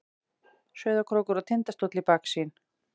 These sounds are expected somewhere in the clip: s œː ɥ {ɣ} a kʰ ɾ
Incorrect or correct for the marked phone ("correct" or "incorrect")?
incorrect